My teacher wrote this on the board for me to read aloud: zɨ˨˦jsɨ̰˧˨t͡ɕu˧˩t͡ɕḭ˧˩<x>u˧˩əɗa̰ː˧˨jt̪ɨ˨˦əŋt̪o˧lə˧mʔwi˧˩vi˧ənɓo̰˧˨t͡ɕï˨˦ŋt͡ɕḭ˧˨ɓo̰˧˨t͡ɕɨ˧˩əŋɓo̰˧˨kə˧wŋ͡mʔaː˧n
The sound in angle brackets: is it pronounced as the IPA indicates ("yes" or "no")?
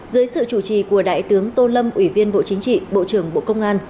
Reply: no